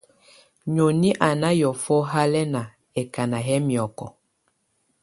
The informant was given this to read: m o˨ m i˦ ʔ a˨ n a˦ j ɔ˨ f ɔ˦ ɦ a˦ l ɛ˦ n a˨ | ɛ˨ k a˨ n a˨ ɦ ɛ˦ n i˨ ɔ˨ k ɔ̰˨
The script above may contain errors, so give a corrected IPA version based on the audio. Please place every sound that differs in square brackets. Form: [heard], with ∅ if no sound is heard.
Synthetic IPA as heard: [ɲ] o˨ [n] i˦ ʔ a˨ n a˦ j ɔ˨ f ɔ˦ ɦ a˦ l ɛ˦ n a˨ | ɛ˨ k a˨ n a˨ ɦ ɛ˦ [m] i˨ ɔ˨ k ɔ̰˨